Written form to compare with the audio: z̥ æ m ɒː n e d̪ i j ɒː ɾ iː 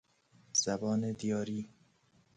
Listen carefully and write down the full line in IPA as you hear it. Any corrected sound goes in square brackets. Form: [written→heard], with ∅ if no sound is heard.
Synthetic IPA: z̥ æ [m→b] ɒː n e d̪ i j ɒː ɾ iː